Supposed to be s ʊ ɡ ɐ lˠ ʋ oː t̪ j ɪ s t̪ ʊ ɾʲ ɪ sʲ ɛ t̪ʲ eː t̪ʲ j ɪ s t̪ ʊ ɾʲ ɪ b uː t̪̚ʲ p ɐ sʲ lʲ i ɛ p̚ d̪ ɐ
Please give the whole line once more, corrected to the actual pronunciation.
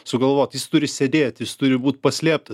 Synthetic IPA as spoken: s ʊ ɡ ɐ lˠ ʋ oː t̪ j ɪ s t̪ ʊ ɾʲ ɪ sʲ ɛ d̪ʲ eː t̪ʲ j ɪ s t̪ ʊ ɾʲ ɪ b uː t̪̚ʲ p ɐ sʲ lʲ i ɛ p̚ t̪ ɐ